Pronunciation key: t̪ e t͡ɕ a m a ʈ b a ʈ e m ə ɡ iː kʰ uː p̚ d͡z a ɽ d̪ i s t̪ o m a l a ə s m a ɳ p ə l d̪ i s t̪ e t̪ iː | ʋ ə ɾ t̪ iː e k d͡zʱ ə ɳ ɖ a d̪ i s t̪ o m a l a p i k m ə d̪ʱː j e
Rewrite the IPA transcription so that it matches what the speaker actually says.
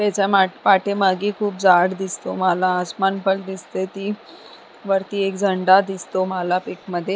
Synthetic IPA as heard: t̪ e t͡ɕ a m a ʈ p a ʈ e m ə ɡ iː kʰ uː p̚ d͡z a ɽ d̪ i s t̪ o m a l a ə s m a n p ə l d̪ i s t̪ e t̪ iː | ʋ ə ɾ t̪ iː e k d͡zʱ ə ɳ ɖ a d̪ i s t̪ o m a l a p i k m ə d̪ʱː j e